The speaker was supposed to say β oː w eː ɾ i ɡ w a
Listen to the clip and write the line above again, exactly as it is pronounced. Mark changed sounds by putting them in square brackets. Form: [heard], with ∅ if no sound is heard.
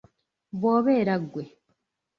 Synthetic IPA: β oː [β] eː ɾ [a] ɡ w [e]